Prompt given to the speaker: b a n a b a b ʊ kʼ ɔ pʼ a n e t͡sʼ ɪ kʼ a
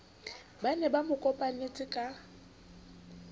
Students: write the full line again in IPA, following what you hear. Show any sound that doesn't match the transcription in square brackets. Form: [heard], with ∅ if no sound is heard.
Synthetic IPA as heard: b a n [ɛ] b a [m] ʊ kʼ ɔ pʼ a n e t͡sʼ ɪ kʼ a